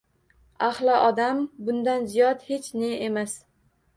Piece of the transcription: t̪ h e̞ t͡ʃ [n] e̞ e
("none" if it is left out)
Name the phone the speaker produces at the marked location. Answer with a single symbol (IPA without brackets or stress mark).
n